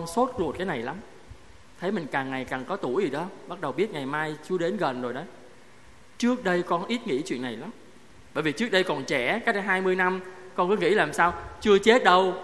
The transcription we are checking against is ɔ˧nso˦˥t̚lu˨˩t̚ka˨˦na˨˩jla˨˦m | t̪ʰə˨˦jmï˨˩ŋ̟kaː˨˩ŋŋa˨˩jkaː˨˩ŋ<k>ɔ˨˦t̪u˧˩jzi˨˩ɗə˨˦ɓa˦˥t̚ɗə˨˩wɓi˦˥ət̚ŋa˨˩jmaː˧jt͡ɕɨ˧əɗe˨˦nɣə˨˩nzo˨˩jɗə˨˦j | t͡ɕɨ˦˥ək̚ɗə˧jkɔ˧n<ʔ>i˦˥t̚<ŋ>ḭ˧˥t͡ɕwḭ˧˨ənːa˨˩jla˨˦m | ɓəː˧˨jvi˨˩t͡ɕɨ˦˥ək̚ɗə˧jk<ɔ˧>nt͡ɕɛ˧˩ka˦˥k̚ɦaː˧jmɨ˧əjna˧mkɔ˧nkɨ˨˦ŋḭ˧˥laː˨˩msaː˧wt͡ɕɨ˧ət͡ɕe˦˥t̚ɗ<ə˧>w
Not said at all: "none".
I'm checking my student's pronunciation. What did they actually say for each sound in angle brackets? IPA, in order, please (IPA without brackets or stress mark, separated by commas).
k, ʔ, ŋ, ɔ˨˩, ə˧